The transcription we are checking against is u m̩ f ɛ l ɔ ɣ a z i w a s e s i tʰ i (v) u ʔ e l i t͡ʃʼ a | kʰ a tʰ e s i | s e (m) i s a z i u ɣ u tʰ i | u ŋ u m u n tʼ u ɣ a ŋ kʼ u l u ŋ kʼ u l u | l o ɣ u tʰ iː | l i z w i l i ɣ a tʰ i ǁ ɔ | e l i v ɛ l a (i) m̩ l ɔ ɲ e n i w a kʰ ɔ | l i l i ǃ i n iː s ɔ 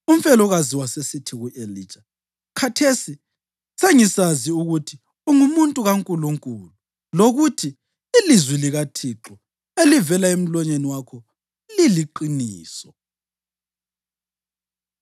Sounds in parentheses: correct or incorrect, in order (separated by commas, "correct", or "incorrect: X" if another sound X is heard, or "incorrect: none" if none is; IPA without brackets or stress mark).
incorrect: ɣ, incorrect: ŋ, incorrect: e